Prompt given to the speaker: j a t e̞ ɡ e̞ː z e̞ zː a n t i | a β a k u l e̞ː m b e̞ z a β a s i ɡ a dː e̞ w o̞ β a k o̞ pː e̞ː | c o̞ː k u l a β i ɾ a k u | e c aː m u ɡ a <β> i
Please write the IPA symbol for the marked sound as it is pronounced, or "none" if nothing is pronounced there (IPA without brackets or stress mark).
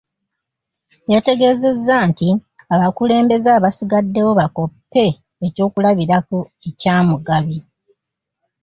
β